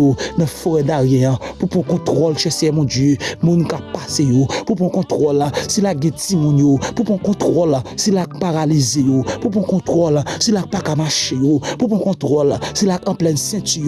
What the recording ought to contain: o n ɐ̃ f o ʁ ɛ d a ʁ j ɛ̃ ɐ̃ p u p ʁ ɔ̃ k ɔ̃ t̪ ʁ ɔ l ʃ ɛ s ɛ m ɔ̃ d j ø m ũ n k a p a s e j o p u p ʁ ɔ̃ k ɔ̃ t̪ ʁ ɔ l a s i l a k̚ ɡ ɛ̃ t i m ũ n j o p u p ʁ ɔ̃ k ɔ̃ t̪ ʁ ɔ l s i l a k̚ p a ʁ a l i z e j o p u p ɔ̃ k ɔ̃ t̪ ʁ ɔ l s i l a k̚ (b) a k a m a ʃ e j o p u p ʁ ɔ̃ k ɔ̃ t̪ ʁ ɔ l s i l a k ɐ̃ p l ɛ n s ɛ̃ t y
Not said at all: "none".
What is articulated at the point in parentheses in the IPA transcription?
p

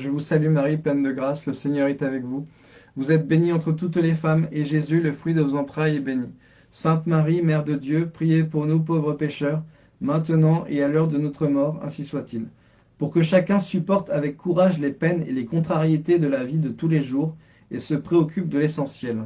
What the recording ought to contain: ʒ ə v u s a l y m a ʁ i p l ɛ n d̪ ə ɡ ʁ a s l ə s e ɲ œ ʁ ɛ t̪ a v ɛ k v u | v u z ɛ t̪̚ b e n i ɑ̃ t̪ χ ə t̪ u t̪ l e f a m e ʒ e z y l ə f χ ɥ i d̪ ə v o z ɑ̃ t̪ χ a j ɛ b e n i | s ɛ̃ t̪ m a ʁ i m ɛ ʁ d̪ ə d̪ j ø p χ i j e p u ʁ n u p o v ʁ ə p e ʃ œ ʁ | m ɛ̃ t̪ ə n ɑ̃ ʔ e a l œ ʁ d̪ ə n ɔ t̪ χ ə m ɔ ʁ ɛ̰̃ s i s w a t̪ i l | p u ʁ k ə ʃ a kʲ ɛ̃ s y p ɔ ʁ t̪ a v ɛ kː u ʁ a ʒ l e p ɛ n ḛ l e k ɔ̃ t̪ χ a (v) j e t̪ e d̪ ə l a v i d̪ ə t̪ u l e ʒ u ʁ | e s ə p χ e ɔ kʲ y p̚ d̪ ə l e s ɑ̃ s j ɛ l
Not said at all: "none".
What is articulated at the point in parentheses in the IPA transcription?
ʁ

